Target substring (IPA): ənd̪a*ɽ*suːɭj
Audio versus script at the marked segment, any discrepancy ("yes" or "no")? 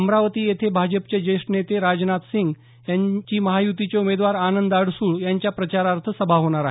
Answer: no